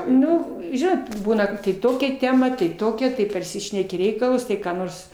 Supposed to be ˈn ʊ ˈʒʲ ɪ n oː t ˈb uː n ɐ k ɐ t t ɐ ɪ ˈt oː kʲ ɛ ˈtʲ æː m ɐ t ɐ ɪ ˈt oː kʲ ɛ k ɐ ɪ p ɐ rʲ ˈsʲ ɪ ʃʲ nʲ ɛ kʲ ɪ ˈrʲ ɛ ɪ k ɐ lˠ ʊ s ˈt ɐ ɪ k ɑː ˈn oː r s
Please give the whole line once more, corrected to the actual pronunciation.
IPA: ˈn ʊ ˈʒʲ ɪ n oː t ˈb uː n ɐ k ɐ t t ɐ ɪ ˈt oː kʲ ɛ ˈtʲ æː m ɐ t ɐ ɪ ˈt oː kʲ ɛ t ɐ ɪ p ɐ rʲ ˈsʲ ɪ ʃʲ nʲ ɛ kʲ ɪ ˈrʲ ɛ ɪ k ɐ lˠ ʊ s ˈt ɐ ɪ k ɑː ˈn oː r s